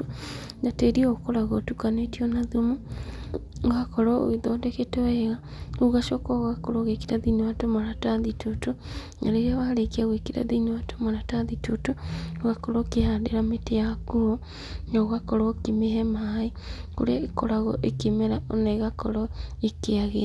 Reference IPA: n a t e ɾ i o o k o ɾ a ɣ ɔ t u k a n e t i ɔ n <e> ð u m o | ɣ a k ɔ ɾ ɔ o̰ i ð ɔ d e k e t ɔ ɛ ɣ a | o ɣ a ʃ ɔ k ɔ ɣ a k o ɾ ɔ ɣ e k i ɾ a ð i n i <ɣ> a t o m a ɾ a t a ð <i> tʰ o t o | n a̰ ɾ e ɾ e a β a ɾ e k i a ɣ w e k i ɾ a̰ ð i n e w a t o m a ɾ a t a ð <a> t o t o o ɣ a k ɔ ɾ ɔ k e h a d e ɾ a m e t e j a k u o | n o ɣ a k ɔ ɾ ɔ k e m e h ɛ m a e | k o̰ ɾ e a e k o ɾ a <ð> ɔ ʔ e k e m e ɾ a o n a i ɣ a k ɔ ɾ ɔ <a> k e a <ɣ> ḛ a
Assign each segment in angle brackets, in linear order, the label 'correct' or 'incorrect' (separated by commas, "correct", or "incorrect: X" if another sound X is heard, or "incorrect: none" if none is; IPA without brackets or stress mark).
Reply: incorrect: a, incorrect: w, correct, incorrect: i, incorrect: ɣ, incorrect: e, correct